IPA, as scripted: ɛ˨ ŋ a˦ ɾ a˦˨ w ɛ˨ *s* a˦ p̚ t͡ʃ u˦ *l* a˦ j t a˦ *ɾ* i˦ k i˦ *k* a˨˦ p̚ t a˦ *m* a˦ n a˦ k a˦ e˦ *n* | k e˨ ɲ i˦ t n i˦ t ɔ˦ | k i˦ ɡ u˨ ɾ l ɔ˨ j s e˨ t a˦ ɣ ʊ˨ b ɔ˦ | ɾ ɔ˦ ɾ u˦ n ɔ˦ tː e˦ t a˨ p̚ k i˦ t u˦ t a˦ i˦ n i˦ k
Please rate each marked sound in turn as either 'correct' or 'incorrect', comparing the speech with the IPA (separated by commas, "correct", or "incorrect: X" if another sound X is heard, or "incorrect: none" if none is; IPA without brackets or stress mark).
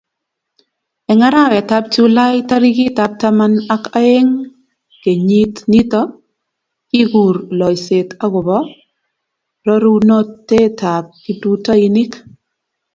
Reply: incorrect: t, correct, correct, incorrect: t, correct, incorrect: ŋ